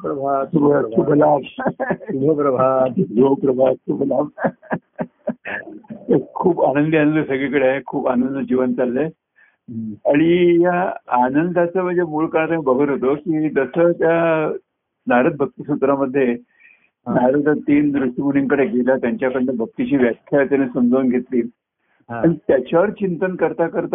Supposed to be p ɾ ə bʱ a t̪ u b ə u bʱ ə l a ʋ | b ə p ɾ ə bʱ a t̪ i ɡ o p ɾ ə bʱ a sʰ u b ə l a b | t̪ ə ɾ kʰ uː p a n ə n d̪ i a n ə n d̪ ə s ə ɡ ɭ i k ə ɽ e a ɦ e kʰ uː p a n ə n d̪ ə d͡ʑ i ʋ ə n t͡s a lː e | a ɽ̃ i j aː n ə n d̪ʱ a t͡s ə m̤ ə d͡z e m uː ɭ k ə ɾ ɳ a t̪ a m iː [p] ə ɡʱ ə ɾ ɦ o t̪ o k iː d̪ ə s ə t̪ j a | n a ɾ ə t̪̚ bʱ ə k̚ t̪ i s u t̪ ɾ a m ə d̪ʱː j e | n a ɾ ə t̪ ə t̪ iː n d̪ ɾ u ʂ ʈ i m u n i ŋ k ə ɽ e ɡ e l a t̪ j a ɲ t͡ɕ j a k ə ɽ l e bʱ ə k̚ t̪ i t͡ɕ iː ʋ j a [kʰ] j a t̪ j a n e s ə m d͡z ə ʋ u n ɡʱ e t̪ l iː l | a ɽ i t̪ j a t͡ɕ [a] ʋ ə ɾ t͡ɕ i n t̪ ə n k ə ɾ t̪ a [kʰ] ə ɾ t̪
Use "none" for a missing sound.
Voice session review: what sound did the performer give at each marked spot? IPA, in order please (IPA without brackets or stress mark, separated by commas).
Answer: b, kʰ, a, k